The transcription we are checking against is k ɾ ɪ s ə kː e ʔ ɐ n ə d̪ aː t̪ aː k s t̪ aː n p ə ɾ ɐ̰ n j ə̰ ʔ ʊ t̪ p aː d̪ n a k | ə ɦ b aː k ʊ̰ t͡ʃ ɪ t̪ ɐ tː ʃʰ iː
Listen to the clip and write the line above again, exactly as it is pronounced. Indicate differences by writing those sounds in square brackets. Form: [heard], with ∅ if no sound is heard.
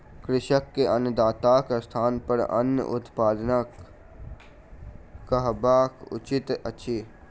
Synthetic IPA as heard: k ɾ ɪ [ʃ] ə kː e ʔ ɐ n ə d̪ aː t̪ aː k s [t̪ʰ] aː n p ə ɾ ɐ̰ n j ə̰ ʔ ʊ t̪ p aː d̪ n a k | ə ɦ b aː k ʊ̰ t͡ʃ ɪ t̪ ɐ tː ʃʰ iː